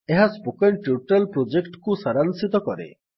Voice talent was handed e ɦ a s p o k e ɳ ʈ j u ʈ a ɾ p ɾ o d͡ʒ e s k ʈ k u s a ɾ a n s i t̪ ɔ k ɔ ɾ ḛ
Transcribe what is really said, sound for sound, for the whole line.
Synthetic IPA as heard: e ɦ a s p o k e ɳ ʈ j u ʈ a l p ɾ o d͡ʒ e k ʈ k u s a ɾ a n s i t̪ ɔ k ɔ ɾ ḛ